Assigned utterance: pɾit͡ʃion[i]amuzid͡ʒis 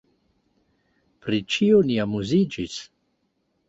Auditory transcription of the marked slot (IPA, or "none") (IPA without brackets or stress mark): i